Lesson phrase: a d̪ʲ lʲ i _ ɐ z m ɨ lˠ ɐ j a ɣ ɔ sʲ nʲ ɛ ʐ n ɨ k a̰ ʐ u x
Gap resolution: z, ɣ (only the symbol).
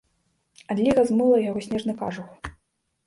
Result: ɣ